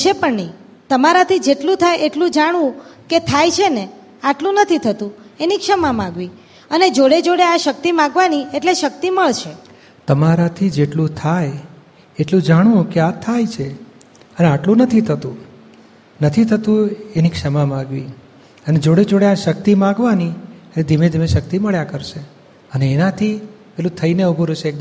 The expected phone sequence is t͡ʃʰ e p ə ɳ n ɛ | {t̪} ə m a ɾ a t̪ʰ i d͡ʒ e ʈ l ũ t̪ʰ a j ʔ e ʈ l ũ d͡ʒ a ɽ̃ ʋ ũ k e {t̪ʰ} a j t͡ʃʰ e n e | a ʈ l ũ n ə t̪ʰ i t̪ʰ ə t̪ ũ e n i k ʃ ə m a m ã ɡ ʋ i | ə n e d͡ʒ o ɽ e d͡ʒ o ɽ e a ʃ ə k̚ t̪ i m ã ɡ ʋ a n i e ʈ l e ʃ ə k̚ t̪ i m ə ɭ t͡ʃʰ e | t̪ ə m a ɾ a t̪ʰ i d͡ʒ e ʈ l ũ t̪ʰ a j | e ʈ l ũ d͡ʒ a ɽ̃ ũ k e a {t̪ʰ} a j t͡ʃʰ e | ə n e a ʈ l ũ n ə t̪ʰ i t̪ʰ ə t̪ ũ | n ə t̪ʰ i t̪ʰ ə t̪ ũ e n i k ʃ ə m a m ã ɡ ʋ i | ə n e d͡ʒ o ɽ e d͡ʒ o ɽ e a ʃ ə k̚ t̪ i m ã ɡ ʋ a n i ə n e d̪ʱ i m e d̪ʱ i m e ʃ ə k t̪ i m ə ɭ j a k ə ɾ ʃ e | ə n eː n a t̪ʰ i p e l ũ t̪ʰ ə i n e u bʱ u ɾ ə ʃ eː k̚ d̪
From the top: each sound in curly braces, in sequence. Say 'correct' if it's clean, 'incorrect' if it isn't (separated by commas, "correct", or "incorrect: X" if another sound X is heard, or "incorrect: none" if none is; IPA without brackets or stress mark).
correct, correct, correct